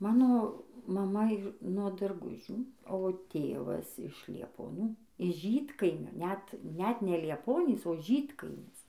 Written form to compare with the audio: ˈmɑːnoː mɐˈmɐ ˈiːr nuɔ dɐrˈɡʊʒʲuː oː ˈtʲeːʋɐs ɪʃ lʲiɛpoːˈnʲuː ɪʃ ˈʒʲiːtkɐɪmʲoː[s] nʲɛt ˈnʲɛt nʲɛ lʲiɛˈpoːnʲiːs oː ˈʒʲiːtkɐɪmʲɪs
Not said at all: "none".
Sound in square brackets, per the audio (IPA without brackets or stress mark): none